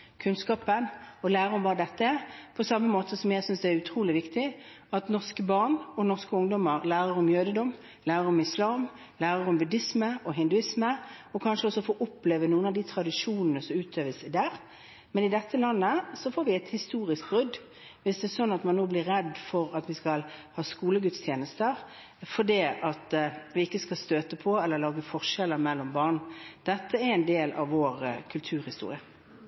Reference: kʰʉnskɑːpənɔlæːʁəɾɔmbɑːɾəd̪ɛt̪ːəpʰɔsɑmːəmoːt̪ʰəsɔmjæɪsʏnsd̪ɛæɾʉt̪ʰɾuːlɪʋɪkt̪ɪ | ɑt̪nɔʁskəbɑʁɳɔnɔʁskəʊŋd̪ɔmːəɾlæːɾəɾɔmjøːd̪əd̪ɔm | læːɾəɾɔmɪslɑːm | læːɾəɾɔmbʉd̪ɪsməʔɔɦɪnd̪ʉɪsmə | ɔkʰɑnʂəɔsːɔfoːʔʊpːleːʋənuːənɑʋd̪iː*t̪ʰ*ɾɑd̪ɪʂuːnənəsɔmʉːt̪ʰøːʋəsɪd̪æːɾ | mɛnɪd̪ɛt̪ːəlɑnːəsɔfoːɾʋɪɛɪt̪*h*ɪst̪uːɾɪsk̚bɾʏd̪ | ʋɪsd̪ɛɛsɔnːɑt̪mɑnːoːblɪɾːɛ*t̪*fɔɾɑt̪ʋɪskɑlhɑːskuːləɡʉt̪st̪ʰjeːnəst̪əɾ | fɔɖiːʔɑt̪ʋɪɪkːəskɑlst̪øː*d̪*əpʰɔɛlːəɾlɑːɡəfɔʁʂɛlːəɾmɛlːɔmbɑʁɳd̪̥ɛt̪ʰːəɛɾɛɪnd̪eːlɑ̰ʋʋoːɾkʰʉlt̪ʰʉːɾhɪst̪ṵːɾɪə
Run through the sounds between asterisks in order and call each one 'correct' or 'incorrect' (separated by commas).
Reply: correct, correct, incorrect, incorrect